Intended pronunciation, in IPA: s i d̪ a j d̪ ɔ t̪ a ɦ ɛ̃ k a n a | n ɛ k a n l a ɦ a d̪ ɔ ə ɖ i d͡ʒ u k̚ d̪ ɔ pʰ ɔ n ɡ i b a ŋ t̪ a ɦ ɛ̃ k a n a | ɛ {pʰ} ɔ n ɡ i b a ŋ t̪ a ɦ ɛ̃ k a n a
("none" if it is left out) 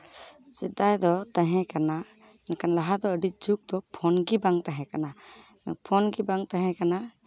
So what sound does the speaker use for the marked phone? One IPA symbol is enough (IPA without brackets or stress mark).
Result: pʰ